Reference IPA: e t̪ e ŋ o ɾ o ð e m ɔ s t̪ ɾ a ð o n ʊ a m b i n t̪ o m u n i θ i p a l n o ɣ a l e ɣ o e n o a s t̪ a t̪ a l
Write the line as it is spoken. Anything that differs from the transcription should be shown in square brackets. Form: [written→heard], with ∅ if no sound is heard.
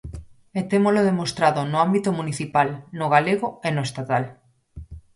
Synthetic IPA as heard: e t̪ e [ŋ→m] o [ɾ→l] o ð e m [ɔ→o] s t̪ ɾ a ð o n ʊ a m b i [n→∅] t̪ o m u n i θ i p a l n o ɣ a l e ɣ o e n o [a→e] s t̪ a t̪ a l